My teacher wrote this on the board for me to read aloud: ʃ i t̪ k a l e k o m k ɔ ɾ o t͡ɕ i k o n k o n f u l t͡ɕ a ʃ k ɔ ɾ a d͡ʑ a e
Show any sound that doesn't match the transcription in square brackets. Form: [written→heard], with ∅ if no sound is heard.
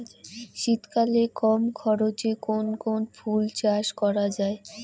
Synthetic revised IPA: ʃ i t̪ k a l e k [o→ɔ] m [k→kʰ] ɔ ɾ o t͡ɕ [i→e] k o n k o n f u l t͡ɕ a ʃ k ɔ ɾ a d͡ʑ a e